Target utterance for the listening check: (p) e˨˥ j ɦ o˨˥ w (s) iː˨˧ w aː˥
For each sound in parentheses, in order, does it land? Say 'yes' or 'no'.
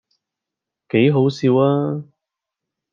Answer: no, yes

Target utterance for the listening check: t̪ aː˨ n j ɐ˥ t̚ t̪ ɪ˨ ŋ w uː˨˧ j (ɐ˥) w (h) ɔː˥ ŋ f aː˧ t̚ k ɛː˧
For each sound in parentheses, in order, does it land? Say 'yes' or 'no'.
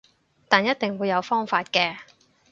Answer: no, no

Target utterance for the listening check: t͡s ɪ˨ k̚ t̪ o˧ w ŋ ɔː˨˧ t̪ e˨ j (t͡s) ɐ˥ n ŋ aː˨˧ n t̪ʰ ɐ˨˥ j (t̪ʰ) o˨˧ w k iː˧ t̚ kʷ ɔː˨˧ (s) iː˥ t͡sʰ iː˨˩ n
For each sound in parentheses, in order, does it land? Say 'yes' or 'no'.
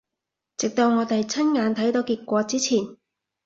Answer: no, no, no

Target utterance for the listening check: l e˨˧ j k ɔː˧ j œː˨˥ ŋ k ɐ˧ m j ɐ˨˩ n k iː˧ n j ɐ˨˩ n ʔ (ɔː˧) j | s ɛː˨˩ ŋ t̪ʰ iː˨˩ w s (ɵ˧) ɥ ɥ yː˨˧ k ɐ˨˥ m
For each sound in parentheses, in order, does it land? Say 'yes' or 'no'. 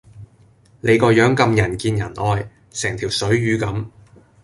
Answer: yes, no

